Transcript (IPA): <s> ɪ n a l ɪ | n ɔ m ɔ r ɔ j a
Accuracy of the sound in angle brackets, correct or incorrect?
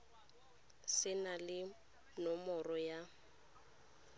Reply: correct